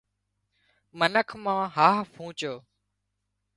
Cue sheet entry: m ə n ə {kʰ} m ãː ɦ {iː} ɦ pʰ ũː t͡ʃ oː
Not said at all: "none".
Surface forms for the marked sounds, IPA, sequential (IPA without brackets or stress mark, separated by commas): kʰ, aː